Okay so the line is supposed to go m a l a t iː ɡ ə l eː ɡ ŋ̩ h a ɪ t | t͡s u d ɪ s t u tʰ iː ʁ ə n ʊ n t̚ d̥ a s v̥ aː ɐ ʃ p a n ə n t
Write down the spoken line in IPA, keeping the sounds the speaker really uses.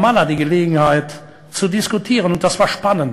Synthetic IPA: m a l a d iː ɡ ə l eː ɡ ŋ̩ h a ɪ t | t͡s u d ɪ s k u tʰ iː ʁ ə n ʊ n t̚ d̥ a s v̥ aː ɐ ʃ p a n ə n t